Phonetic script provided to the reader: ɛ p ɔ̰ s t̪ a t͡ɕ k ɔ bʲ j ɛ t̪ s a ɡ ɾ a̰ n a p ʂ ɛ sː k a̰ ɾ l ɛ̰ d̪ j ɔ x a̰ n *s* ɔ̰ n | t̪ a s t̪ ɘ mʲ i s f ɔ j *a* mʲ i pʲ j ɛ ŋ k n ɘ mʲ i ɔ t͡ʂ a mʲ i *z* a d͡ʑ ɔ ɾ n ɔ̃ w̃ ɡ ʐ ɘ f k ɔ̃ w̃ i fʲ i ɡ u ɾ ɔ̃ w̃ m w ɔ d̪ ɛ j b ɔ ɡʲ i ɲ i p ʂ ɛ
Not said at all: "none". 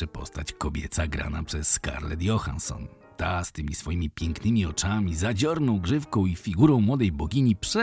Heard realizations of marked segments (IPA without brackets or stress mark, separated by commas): s, i, z